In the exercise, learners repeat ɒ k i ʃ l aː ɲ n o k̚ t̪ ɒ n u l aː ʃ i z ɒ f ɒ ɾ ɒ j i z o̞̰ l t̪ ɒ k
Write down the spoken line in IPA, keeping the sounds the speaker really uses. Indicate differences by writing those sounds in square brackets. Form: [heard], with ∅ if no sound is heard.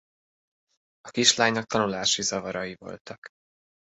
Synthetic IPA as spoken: ɒ k i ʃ l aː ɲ n [ɒ] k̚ t̪ ɒ n u l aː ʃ i z ɒ [v] ɒ ɾ ɒ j i [v] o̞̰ l t̪ ɒ k